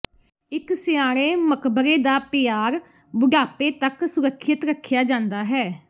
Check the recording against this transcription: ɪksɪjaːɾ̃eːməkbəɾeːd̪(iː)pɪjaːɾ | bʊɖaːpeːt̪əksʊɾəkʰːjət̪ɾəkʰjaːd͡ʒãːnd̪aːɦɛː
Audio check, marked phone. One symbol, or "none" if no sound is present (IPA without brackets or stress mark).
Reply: aː